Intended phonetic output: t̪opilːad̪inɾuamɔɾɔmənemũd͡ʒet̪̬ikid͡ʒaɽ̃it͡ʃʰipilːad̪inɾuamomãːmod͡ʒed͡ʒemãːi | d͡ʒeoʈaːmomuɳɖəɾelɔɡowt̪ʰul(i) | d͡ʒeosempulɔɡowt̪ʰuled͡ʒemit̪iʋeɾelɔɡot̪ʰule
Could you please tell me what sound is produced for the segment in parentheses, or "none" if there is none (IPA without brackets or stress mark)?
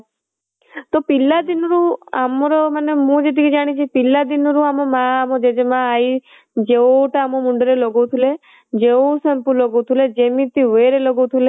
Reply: e